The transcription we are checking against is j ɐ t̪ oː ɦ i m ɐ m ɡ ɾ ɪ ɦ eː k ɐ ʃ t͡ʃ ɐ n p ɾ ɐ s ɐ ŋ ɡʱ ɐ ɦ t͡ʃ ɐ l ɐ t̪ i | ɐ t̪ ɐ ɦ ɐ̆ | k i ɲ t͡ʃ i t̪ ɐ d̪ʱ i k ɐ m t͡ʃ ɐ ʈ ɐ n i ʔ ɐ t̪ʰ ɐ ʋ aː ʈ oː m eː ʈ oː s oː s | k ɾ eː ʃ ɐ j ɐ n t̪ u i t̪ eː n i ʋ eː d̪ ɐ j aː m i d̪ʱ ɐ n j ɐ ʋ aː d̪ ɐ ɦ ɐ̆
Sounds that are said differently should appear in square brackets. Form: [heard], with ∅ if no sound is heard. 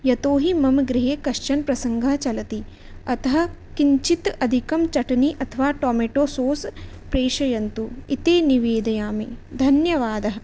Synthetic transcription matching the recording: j ɐ t̪ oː ɦ i m ɐ m ɡ ɾ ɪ ɦ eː k ɐ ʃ t͡ʃ ɐ n p ɾ ɐ s ɐ ŋ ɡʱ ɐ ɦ t͡ʃ ɐ l ɐ t̪ i | ɐ t̪ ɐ ɦ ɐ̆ | k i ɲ t͡ʃ i t̪ ɐ d̪ʱ i k ɐ m t͡ʃ ɐ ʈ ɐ n i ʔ ɐ t̪ʰ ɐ ʋ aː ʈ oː m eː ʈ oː s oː s | [p] ɾ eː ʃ ɐ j ɐ n t̪ u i t̪ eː n i ʋ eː d̪ ɐ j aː m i d̪ʱ ɐ n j ɐ ʋ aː d̪ ɐ ɦ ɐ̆

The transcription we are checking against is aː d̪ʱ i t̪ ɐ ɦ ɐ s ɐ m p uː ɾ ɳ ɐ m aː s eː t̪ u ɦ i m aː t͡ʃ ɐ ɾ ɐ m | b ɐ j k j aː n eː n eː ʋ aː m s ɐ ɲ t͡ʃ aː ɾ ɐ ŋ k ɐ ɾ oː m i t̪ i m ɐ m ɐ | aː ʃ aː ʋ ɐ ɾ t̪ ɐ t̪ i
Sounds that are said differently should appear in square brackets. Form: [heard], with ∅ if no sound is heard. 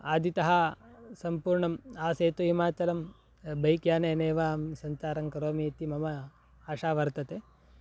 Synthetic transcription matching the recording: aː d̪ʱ i t̪ ɐ ɦ ɐ s ɐ m p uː ɾ ɳ ɐ m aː s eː t̪ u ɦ i m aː t͡ʃ ɐ [l] ɐ m | b ɐ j k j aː n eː n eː ʋ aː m s ɐ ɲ t͡ʃ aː ɾ ɐ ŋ k ɐ ɾ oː m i t̪ i m ɐ m ɐ | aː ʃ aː ʋ ɐ ɾ t̪ ɐ t̪ [e]

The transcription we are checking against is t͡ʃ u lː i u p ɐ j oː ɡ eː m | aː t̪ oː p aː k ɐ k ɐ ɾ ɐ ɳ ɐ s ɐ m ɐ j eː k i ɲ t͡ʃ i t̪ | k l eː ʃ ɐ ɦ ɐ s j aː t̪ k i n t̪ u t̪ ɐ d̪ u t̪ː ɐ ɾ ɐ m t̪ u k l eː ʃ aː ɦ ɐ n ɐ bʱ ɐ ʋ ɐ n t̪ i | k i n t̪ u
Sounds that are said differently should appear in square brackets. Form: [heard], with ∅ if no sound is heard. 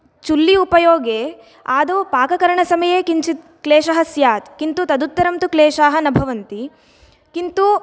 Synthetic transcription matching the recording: t͡ʃ u lː i u p ɐ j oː ɡ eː [∅] | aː [d̪] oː p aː k ɐ k ɐ ɾ ɐ ɳ ɐ s ɐ m ɐ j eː k i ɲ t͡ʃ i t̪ | k l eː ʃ ɐ ɦ ɐ s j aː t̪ k i n t̪ u t̪ ɐ d̪ u t̪ː ɐ ɾ ɐ m t̪ u k l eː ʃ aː ɦ ɐ n ɐ bʱ ɐ ʋ ɐ n t̪ i | k i n t̪ u

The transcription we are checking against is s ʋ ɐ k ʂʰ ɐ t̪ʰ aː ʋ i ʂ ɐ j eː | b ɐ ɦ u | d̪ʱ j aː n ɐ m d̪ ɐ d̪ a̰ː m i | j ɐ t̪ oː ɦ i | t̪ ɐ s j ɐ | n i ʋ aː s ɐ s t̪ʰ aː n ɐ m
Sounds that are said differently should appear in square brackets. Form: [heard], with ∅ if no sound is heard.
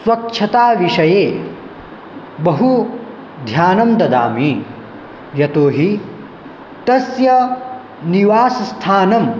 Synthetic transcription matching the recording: s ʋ ɐ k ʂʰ ɐ [t̪] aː ʋ i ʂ ɐ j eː | b ɐ ɦ u | d̪ʱ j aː n ɐ m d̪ ɐ d̪ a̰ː m i | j ɐ t̪ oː ɦ i | t̪ ɐ s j ɐ | n i ʋ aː s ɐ s t̪ʰ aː n ɐ m

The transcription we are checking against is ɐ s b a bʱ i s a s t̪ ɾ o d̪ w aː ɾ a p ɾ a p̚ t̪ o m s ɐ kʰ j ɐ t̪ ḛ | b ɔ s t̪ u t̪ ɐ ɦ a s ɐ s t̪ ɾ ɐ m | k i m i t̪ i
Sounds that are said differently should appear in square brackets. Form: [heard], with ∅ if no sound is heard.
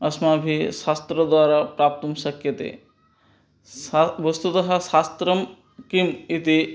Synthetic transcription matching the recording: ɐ s [m] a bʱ i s a s t̪ ɾ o d̪ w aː ɾ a p ɾ a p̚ t̪ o m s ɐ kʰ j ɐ t̪ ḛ | b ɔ s t̪ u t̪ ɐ ɦ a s [a] s t̪ ɾ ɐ m | k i m i t̪ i

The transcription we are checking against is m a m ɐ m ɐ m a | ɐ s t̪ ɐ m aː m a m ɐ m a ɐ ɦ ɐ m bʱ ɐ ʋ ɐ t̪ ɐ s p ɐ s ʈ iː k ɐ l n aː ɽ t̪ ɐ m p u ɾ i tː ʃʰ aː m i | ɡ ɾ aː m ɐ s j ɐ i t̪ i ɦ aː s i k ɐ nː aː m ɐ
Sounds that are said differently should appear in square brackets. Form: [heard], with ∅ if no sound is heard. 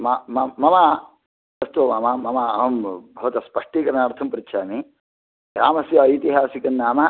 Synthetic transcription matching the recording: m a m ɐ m ɐ m a | ɐ s t̪ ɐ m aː m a m ɐ m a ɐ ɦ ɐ m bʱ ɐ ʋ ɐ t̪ ɐ s p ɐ [ʂ] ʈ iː k ɐ [ɾ] n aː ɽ [t̪ʰ] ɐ m p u ɾ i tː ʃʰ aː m i | ɡ ɾ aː m ɐ s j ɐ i t̪ i ɦ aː s i k ɐ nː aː m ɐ

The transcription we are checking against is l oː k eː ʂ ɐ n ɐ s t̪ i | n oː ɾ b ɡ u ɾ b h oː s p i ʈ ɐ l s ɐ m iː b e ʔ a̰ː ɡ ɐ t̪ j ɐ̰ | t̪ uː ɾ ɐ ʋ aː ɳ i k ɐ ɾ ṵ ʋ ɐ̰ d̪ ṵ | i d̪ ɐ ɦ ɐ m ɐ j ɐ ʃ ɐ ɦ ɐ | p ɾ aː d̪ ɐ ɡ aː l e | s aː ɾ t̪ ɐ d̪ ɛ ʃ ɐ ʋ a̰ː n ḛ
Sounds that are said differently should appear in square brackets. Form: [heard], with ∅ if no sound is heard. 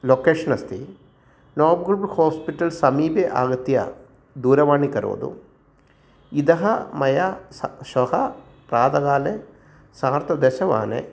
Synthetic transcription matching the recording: l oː k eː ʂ ɐ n ɐ s t̪ i | n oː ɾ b ɡ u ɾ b h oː s p i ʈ ɐ l s ɐ m iː b e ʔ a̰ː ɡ ɐ t̪ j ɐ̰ | [d̪] uː ɾ ɐ ʋ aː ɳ i k ɐ ɾ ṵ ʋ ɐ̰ d̪ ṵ | i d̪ ɐ ɦ ɐ m ɐ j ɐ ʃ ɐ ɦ ɐ | p ɾ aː d̪ ɐ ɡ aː l e | s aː ɾ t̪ ɐ d̪ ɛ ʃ ɐ ʋ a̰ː n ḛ

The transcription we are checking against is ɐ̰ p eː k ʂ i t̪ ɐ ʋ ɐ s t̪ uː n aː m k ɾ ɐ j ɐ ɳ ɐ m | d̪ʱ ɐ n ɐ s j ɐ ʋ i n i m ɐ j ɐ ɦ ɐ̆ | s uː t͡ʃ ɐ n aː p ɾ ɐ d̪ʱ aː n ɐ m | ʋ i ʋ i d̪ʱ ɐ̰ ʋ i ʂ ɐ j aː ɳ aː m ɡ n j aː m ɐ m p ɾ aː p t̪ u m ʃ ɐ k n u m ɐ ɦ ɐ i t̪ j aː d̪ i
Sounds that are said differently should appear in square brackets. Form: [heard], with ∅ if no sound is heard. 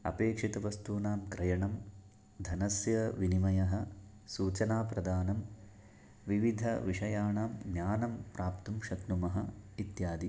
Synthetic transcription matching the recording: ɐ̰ p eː k ʂ i t̪ ɐ ʋ ɐ s t̪ uː n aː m k ɾ ɐ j ɐ ɳ ɐ m | d̪ʱ ɐ n ɐ s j ɐ ʋ i n i m ɐ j ɐ ɦ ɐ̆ | s uː t͡ʃ ɐ n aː p ɾ ɐ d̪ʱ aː n ɐ m | ʋ i ʋ i d̪ʱ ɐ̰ ʋ i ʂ ɐ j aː ɳ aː m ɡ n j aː [n] ɐ m p ɾ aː p t̪ u m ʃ ɐ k n u m ɐ ɦ ɐ i t̪ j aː d̪ i

